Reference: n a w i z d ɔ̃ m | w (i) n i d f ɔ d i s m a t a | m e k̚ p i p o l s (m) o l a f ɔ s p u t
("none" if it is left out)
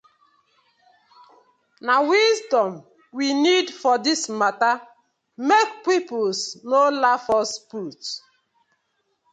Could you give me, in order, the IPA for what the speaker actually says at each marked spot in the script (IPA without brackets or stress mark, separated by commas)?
i, n